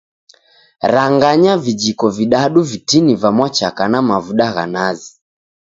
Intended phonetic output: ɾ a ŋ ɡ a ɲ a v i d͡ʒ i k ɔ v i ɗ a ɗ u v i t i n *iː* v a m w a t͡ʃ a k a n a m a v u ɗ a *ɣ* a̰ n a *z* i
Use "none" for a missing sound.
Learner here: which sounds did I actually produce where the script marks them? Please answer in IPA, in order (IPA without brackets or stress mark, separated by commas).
i, ɣ, z